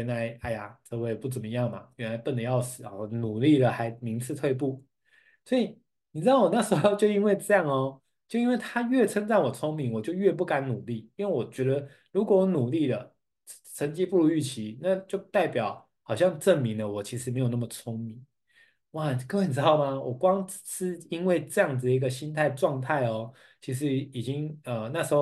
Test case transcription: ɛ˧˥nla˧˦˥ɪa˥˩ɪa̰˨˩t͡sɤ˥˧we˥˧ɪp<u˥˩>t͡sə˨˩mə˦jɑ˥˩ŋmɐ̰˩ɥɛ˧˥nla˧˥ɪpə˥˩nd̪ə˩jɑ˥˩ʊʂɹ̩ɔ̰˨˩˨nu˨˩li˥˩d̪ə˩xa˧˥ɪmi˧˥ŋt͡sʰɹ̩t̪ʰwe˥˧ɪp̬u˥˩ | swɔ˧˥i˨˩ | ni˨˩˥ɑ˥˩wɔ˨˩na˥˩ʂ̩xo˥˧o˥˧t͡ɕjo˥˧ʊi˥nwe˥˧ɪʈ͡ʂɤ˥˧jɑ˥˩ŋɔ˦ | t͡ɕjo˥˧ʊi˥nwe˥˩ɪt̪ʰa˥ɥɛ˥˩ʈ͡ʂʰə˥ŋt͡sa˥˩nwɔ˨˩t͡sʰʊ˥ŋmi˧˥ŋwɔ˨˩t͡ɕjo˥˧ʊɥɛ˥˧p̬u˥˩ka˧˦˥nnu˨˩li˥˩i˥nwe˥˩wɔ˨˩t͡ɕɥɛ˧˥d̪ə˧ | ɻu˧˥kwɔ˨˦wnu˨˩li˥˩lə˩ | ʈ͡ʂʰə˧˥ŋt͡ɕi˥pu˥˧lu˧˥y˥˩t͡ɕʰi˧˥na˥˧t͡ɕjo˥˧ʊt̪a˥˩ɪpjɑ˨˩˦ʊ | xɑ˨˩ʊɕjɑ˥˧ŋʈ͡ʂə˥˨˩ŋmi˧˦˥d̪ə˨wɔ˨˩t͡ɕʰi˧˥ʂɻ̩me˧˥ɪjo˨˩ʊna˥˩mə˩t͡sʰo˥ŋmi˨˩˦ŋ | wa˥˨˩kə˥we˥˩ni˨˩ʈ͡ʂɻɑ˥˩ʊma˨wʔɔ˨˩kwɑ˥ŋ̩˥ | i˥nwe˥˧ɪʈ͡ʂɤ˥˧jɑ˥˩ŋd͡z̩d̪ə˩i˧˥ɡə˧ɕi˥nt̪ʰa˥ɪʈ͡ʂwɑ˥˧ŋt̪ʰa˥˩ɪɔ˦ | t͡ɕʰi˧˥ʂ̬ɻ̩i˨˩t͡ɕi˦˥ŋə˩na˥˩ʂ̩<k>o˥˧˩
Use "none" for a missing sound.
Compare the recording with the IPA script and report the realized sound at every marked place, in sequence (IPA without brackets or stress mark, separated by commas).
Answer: u˥˩, x